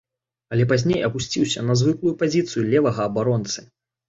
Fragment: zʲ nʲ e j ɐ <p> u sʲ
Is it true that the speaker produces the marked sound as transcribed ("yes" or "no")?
yes